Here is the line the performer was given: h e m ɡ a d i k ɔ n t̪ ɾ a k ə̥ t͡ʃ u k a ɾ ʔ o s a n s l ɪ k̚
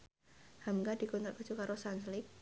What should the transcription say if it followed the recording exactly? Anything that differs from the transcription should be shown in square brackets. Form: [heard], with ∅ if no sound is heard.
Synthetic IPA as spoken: h [a] m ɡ a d i k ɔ n t̪ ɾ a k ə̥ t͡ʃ u k a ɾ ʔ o s a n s l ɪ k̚